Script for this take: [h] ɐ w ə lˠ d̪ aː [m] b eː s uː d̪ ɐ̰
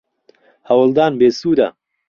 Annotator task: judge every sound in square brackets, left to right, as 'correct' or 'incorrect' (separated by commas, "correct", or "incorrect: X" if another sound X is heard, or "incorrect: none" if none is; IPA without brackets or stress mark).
correct, incorrect: n